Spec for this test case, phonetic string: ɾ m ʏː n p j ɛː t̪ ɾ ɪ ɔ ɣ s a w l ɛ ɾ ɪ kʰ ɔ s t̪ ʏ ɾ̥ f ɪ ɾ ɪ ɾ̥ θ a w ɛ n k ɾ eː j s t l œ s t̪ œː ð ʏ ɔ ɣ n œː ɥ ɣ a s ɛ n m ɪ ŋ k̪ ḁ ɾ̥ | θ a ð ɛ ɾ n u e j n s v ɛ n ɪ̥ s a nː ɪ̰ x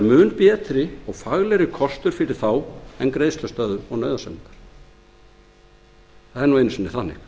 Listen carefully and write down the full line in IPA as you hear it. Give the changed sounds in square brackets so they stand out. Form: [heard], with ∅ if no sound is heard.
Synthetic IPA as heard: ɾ m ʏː n p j ɛː t̪ ɾ ɪ ɔ ɣ [f] a [ɣ] l ɛ ɾ ɪ kʰ ɔ s t̪ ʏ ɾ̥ f ɪ ɾ ɪ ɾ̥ θ a w ɛ n k ɾ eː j s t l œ s t̪ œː ð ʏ ɔ ɣ n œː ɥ [ð] a s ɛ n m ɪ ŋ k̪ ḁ ɾ̥ | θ a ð ɛ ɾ n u e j n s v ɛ n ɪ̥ [θ] a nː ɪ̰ x

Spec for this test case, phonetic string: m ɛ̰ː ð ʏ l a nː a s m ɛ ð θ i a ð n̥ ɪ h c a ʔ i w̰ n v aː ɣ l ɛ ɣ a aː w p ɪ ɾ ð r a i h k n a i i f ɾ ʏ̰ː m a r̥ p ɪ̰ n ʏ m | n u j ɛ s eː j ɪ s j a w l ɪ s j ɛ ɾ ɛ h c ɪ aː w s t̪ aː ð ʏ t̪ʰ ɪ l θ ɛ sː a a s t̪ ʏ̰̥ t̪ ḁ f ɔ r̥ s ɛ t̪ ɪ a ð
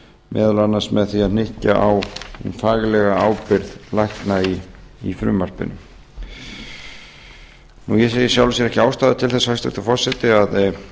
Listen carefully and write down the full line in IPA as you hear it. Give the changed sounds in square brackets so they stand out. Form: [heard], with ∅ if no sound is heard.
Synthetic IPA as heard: m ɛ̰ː ð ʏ l a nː a s m ɛ ð θ i a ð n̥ ɪ h c a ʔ [a] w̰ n [f] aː ɣ l ɛ ɣ a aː w p ɪ ɾ ð [l] a [j] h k n a i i f ɾ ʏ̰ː m a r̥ p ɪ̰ n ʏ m | n u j ɛ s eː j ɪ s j a w l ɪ s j ɛ ɾ ɛ h c ɪ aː w s t̪ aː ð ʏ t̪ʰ ɪ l θ ɛ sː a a s t̪ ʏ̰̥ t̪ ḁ f ɔ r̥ s ɛ t̪ ɪ a ð

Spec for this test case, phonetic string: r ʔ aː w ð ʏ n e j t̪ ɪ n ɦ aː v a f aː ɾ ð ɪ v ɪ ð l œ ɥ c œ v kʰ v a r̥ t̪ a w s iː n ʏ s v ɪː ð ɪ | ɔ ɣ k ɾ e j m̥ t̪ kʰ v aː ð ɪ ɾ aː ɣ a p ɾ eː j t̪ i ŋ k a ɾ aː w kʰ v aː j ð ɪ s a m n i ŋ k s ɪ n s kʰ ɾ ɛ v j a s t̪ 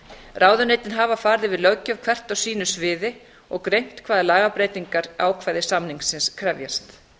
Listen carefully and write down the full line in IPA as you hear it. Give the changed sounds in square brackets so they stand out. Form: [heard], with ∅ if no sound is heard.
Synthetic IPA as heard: r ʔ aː w ð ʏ n e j t̪ ɪ n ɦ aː v a f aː ɾ ð ɪ v ɪ ð l œ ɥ c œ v kʰ v [ɛ] r̥ t̪ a w s iː n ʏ s v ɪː ð ɪ | ɔ ɣ k ɾ e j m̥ t̪ kʰ v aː ð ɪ [l] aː ɣ a p ɾ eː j t̪ i ŋ k a ɾ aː w kʰ v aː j ð ɪ s a m n i ŋ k s ɪ n s kʰ ɾ ɛ v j a s t̪

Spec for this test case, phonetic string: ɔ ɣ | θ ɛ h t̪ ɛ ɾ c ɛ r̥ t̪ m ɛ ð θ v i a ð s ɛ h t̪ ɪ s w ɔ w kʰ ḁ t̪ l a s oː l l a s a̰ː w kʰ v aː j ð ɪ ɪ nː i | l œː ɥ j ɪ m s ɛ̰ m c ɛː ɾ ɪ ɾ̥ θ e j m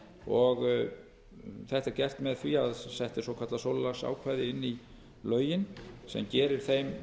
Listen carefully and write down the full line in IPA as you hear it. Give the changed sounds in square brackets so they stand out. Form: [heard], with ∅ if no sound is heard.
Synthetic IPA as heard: ɔ ɣ | θ ɛ h t̪ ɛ ɾ c ɛ r̥ t̪ m ɛ ð θ v i a ð s ɛ h t̪ ɪ s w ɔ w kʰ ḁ t̪ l a s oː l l a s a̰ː w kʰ v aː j ð ɪ ɪ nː i | l œː ɥ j ɪ [n] s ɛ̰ m c ɛː ɾ ɪ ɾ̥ θ e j m

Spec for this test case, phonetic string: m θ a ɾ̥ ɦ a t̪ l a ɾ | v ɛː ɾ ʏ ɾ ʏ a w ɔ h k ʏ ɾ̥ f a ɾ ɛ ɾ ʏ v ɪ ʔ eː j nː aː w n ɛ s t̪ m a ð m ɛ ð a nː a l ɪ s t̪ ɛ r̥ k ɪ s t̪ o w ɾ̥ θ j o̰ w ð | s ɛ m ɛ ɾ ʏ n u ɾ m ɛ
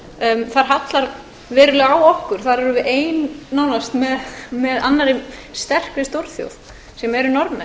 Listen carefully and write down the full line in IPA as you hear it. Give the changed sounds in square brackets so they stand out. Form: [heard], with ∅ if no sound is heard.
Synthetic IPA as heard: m θ a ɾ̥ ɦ a t̪ l a ɾ | v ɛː ɾ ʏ [l] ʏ a w ɔ h k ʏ ɾ̥ [θ] a ɾ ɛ ɾ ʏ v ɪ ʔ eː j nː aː w n [a] s t̪ m [ɛ] ð m ɛ ð a nː a [ɾ] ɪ s t̪ ɛ r̥ k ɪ s t̪ o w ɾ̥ θ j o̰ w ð | s ɛ m ɛ ɾ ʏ n [ɔ] ɾ m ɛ

